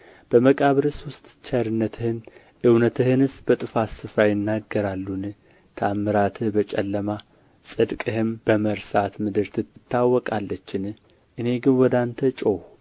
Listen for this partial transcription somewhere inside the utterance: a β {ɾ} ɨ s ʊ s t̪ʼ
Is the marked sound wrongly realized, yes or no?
no